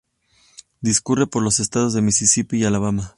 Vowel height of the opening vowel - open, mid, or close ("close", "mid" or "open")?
close